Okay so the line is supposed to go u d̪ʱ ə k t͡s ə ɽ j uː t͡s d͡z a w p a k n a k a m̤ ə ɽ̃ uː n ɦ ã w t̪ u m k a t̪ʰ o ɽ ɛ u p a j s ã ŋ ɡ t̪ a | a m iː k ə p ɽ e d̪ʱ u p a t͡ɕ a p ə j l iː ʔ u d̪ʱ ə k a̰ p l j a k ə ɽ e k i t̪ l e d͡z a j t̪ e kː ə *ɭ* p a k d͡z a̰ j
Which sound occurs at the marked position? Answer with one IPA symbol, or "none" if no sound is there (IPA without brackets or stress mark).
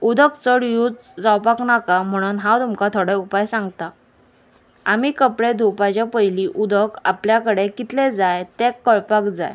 ɭ